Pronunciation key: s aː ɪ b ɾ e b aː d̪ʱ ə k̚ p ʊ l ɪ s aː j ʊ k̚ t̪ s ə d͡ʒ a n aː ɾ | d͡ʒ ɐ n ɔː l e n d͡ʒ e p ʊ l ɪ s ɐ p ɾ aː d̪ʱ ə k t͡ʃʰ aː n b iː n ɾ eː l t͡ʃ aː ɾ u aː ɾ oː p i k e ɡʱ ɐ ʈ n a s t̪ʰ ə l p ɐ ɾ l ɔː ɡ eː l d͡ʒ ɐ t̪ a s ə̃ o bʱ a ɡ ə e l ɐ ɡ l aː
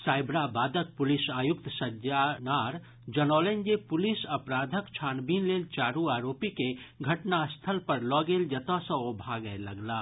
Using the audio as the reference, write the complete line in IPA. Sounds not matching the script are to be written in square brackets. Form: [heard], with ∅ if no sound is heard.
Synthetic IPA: s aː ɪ b ɾ [a] b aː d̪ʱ ə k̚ p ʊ l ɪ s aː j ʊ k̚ t̪ s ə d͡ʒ a n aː ɾ | d͡ʒ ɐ n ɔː l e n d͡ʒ e p ʊ l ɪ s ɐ p ɾ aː d̪ʱ ə k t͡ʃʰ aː n b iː n [l] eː l t͡ʃ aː ɾ u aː ɾ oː p i k e ɡʱ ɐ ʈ n a s t̪ʰ ə l p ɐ ɾ l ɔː ɡ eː l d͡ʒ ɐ t̪ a s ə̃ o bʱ a ɡ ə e l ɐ ɡ l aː